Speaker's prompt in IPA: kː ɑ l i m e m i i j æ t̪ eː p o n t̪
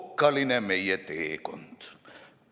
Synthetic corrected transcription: kː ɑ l i n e m e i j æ t̪ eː k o n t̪

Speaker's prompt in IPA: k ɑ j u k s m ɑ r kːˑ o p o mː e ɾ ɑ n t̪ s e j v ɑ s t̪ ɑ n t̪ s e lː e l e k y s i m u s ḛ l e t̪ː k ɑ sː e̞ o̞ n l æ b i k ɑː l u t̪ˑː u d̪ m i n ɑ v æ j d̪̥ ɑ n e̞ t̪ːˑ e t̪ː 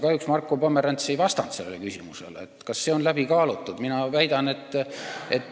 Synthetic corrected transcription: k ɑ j u k s m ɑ r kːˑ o p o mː e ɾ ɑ n t̪ s e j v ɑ s t̪ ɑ n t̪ s e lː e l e k y s i m u s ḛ l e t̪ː k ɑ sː e̞ o̞ n l æ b i k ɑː l u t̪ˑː u d̪ m i n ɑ v æ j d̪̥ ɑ n e̞ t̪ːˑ e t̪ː

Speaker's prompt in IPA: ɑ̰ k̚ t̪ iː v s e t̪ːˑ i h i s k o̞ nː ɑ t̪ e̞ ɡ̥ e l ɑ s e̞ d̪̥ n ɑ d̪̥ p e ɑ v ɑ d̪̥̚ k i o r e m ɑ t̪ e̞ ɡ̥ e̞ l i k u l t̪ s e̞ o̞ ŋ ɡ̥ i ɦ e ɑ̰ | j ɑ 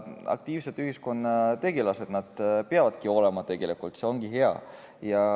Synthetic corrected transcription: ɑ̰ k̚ t̪ iː v s e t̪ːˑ y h i s k o̞ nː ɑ t̪ e̞ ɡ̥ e l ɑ s e̞ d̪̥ n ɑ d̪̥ p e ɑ v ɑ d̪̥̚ k i o l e m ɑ t̪ e̞ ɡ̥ e̞ l i k u l t̪ s e̞ o̞ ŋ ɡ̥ i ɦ e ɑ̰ | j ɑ

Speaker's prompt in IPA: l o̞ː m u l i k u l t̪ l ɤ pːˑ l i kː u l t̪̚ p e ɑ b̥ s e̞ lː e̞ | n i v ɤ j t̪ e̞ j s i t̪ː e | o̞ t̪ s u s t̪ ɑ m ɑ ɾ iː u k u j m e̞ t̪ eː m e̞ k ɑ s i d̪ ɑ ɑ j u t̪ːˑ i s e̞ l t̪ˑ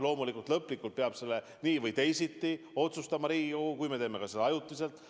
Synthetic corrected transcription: l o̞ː m u l i k u l t̪ l ɤ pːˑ l i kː u l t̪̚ p e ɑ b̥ s e̞ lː e̞ | n iː v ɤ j t̪ e̞ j s i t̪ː i | o̞ t̪ s u s t̪ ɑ m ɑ ɾ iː u k u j m e̞ t̪ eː m e̞ k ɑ s e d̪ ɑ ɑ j u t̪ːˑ i s e̞ l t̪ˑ

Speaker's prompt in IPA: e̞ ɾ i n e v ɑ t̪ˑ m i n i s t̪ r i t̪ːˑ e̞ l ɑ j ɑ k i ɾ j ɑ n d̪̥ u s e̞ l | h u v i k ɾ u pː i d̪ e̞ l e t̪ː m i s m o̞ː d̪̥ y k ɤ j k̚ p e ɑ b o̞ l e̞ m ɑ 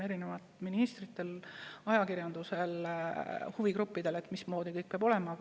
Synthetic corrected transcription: e̞ ɾ i n e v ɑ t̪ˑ m i n i s t̪ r i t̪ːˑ e̞ l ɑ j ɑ k i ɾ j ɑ n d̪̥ u s e̞ l | h u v i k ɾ u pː i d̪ e̞ l e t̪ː m i s m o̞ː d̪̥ i k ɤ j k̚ p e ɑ b o̞ l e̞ m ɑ

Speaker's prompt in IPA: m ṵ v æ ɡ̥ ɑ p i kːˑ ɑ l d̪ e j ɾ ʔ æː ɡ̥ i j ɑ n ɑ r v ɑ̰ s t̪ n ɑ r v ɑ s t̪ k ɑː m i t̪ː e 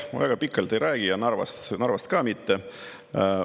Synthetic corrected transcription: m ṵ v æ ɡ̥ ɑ p i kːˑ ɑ l t̪ e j ɾ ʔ æː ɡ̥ i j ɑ n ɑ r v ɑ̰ s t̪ n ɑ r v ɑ s t̪ k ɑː m i t̪ː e

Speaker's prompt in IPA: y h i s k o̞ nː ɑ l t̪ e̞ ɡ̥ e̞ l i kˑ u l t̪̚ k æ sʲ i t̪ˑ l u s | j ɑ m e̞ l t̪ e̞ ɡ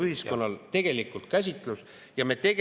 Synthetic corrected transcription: y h i s k o̞ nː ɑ l t̪ e̞ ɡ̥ e̞ l i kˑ u l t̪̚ k æ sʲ i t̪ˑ l u s | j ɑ m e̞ t̪ e̞ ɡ

